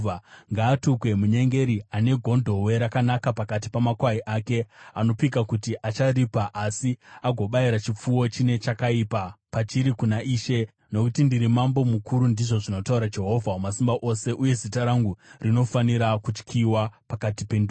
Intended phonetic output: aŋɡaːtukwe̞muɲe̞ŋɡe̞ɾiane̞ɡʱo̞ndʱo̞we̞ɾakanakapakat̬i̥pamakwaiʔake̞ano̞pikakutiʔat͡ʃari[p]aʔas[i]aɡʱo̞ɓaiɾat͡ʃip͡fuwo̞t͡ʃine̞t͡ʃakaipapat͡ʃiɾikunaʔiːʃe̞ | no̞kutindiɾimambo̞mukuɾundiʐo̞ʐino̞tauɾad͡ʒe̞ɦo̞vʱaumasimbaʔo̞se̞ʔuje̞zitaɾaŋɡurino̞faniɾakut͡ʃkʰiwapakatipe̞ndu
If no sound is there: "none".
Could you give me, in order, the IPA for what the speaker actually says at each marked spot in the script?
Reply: p, i

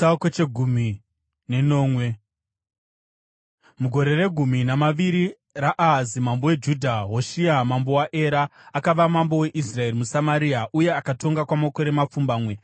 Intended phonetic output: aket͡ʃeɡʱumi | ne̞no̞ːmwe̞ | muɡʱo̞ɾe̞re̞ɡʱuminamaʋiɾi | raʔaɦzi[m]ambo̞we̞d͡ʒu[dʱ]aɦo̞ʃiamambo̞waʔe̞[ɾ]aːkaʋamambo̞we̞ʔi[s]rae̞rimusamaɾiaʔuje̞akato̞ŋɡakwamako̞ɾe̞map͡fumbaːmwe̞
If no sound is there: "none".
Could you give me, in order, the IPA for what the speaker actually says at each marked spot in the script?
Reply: m, dʱ, ɾ, s

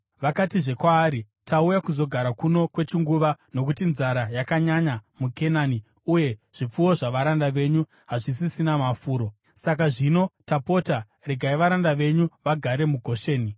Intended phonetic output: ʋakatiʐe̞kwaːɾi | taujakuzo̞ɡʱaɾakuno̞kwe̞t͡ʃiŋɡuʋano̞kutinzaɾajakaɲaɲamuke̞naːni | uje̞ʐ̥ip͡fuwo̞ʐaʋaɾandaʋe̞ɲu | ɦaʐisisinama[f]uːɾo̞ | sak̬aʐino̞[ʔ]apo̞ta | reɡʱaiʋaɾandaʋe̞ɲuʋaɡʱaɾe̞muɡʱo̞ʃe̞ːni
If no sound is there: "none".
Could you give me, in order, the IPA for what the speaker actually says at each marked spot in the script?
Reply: f, t

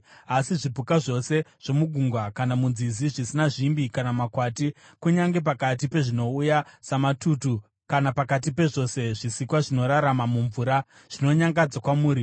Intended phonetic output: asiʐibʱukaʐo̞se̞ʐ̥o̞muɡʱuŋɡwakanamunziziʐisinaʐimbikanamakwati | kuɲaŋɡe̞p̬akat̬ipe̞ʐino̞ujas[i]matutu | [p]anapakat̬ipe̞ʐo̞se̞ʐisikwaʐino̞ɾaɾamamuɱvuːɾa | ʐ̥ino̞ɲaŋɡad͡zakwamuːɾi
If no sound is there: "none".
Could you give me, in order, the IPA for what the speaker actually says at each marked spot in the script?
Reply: a, k

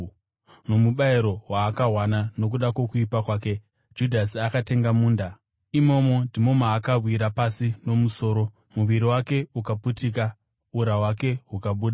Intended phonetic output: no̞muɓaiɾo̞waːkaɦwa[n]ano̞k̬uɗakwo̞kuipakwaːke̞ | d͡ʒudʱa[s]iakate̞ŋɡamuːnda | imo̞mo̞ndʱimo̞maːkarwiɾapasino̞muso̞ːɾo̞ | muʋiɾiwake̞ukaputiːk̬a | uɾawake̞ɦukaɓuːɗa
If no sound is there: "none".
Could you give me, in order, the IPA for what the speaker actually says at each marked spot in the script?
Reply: n, s

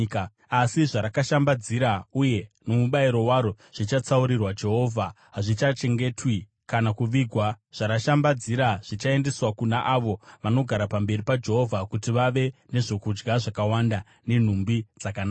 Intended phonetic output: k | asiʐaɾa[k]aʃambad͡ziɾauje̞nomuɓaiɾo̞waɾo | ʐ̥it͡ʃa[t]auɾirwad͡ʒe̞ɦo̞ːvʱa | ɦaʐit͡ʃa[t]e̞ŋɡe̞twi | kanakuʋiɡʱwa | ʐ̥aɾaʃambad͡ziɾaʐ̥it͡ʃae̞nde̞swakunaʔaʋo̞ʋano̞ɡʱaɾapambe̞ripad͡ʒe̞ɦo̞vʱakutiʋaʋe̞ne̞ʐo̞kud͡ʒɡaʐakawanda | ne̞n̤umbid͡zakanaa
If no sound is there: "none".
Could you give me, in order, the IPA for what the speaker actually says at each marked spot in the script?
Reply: k, t͡s, t͡ʃ

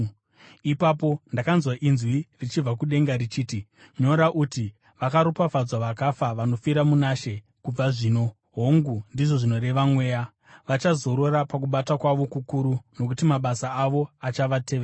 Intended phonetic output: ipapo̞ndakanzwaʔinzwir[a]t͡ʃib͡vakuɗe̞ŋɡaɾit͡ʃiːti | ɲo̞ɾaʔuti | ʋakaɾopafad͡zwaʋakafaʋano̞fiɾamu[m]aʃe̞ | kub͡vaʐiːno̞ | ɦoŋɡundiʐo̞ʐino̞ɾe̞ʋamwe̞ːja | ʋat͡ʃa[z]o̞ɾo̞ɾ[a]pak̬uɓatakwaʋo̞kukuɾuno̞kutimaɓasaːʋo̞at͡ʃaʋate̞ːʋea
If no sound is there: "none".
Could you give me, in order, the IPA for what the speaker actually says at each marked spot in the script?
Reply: i, n, z, a

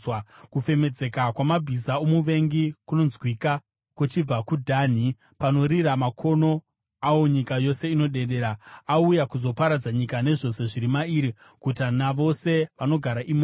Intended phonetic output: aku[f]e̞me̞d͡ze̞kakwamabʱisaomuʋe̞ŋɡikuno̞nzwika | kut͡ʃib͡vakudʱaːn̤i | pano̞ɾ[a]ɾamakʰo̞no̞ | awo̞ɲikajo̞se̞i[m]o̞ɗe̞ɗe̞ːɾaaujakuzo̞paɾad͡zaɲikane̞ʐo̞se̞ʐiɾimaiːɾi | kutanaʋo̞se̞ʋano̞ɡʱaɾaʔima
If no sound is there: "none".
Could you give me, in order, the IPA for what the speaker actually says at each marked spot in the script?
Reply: f, i, n

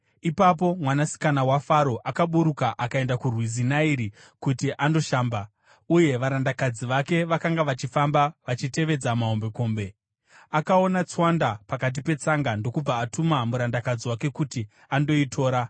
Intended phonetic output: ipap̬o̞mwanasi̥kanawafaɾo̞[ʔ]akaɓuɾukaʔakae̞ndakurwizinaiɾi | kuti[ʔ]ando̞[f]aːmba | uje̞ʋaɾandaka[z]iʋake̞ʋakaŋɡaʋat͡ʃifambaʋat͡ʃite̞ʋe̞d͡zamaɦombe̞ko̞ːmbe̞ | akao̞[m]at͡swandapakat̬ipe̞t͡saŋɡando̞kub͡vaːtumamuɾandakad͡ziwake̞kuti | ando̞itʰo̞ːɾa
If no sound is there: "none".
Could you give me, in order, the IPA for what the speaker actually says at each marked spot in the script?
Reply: ʔ, ʔ, ʃ, d͡z, n

